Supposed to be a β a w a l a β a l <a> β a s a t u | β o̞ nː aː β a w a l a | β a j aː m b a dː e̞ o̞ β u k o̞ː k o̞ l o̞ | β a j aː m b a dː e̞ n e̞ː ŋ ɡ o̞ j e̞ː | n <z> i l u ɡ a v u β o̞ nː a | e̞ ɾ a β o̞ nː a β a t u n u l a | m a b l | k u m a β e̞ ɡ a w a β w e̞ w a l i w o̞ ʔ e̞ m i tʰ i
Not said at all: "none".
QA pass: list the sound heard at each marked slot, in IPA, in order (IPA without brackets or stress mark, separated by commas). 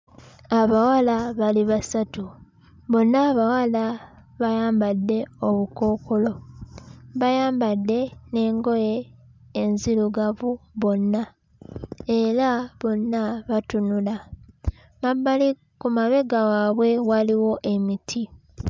i, z